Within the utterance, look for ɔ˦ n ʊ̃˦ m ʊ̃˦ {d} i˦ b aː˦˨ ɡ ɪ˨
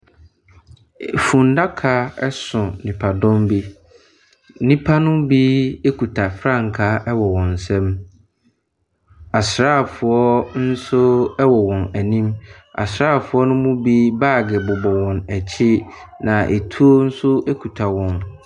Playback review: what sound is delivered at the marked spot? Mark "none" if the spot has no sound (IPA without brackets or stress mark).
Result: b